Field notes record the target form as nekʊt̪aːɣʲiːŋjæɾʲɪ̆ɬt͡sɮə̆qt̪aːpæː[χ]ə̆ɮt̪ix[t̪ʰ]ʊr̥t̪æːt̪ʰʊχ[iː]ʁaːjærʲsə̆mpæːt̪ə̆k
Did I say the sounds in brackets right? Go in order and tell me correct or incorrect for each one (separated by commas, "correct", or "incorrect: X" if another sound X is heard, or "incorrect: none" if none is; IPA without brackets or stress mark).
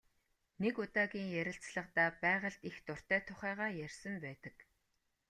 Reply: incorrect: ʁ, incorrect: t̪, incorrect: æː